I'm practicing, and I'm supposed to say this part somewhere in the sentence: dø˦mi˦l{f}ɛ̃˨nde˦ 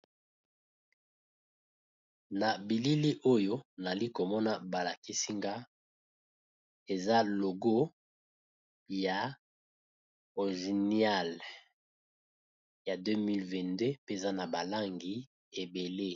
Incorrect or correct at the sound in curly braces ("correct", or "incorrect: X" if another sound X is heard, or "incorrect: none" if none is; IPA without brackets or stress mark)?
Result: incorrect: v